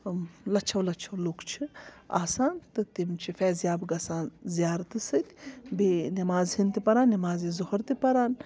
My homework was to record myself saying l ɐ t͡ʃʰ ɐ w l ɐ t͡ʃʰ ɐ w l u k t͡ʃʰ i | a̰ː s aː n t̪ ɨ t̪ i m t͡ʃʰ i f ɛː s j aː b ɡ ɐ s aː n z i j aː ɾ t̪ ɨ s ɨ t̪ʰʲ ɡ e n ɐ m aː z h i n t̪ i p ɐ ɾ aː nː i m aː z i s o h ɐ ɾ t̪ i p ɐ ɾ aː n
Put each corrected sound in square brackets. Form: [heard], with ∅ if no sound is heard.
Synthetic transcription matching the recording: l ɐ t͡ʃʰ ɐ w l ɐ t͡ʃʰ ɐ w l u k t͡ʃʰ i | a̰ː s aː n t̪ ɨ t̪ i m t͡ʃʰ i f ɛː [z] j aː b ɡ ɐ s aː n z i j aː ɾ t̪ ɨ s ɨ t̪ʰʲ [b] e n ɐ m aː z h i n t̪ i p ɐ ɾ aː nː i m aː z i [z] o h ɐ ɾ t̪ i p ɐ ɾ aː n

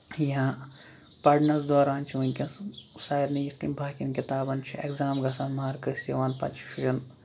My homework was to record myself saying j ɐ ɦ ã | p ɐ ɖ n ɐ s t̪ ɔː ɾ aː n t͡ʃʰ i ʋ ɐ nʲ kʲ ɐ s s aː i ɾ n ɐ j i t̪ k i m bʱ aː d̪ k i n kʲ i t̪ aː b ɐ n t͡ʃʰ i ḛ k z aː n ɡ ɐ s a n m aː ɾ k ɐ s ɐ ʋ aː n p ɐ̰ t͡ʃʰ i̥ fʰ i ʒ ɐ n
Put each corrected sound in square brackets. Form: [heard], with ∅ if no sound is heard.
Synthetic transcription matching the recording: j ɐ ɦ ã | p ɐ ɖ n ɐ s [d̪] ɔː ɾ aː n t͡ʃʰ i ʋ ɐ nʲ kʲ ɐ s s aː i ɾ n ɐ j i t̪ k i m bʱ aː [∅] k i n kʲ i t̪ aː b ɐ n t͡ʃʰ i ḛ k z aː [m] ɡ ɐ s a n m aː ɾ k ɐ s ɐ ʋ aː n p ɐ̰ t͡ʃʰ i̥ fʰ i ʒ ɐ n

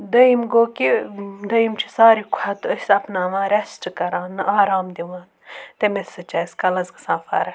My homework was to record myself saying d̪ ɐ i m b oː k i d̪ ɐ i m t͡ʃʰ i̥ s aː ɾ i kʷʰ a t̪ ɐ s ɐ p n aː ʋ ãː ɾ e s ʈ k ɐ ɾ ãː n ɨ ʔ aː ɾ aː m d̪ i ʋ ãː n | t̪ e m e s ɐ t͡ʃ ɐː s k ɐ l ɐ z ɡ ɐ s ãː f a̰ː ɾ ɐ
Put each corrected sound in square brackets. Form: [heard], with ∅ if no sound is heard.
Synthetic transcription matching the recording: d̪ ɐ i m [ɡ] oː k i d̪ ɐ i m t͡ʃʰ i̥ s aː ɾ i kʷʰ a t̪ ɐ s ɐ p n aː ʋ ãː ɾ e s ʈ k ɐ ɾ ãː n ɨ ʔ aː ɾ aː m d̪ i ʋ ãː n | t̪ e m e s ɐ t͡ʃ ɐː s k ɐ l ɐ z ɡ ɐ s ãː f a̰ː ɾ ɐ

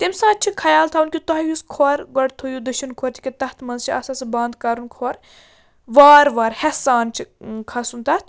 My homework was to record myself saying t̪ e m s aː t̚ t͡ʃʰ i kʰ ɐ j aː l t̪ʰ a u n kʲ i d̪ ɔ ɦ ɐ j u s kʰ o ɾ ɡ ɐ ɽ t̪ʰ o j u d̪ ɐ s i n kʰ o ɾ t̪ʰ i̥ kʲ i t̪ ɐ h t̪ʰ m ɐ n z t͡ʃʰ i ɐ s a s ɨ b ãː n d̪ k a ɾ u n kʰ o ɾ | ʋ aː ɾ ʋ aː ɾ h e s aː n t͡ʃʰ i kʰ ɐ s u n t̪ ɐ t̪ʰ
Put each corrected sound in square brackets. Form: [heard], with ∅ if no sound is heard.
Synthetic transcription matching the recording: t̪ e m s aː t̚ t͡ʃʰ i kʰ ɐ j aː l t̪ʰ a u n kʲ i [t̪] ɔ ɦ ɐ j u s kʰ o ɾ ɡ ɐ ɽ t̪ʰ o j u d̪ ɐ [ʃ] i n kʰ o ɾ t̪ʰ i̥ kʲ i t̪ ɐ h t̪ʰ m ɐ n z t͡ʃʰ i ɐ s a s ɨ b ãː n d̪ k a ɾ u n kʰ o ɾ | ʋ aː ɾ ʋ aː ɾ h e s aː n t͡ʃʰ i kʰ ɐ s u n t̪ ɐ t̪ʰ

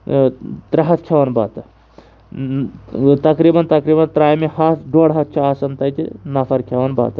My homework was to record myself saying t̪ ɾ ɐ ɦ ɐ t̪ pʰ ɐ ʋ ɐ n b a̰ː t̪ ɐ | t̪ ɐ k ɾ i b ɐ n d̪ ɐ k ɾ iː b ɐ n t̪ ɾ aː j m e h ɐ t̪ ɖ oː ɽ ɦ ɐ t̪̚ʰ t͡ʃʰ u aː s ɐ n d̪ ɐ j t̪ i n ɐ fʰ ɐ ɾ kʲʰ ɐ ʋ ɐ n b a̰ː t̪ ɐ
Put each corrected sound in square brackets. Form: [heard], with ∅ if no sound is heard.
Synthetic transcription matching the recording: t̪ ɾ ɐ ɦ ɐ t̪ [kʰ] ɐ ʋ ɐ n b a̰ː t̪ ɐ | t̪ ɐ k ɾ i b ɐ n [t̪] ɐ k ɾ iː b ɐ n t̪ ɾ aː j m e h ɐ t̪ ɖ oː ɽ ɦ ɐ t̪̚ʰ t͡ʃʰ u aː s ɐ n [t̪] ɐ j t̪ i n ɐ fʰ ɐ ɾ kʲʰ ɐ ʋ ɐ n b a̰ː t̪ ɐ

